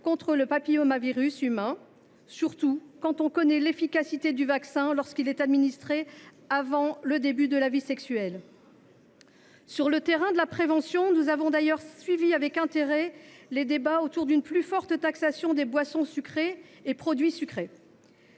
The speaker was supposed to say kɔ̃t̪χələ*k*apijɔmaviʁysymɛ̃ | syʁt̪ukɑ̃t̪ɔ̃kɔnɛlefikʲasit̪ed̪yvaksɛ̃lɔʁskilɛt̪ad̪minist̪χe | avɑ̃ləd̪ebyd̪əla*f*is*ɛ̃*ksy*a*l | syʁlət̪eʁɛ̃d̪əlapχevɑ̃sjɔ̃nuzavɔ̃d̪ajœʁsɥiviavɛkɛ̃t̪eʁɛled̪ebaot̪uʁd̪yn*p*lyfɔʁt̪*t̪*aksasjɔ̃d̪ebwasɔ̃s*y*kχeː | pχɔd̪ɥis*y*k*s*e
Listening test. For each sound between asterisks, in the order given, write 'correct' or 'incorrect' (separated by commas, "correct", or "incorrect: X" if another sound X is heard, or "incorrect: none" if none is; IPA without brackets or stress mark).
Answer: incorrect: p, incorrect: v, incorrect: ɛ, incorrect: ɛ, correct, correct, correct, correct, incorrect: χ